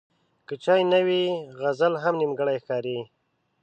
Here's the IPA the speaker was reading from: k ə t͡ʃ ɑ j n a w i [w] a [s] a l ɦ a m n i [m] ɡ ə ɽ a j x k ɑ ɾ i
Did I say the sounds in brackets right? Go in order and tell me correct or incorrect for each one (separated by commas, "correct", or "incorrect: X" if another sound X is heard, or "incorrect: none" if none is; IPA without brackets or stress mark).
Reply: incorrect: ɣ, incorrect: z, correct